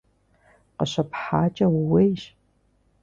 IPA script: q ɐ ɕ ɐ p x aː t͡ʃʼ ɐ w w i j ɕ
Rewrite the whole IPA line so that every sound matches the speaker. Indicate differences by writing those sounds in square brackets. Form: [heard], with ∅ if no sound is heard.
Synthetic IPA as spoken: q [ə] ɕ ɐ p [ħ] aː t͡ʃʼ ɐ w w [e] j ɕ